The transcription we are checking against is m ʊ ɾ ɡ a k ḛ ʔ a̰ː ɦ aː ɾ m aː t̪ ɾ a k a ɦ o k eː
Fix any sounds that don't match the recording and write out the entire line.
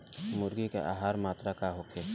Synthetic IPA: m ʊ ɾ ɡ i k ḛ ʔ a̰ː ɦ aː ɾ m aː t̪ ɾ a k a ɦ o kʰ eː